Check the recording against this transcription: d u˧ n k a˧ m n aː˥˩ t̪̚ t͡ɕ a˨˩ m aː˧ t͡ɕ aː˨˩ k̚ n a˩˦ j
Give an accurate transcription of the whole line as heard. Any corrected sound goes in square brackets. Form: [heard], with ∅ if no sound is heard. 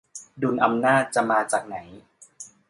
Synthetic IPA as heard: d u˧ n [ʔ] a˧ m n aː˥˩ t̪̚ t͡ɕ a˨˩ m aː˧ t͡ɕ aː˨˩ k̚ n a˩˦ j